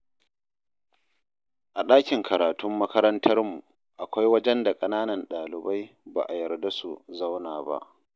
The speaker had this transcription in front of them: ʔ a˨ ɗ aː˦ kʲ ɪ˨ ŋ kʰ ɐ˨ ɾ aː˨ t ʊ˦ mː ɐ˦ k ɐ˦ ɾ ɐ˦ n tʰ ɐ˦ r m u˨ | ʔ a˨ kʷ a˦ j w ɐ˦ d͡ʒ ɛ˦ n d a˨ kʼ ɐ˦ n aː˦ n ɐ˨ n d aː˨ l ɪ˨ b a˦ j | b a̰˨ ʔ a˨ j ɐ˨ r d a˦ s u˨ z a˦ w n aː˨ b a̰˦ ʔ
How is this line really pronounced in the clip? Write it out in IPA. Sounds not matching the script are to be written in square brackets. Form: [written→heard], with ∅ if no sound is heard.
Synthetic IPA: ʔ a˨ ɗ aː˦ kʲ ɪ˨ ŋ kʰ ɐ˨ ɾ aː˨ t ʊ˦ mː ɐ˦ k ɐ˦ ɾ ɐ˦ n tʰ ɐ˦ r m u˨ | ʔ a˨ kʷ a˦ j w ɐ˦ d͡ʒ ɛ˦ n d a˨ kʼ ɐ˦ n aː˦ n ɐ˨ n [d→ɗ] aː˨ l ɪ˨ b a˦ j | b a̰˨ ʔ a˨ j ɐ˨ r d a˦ s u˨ z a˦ w n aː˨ b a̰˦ ʔ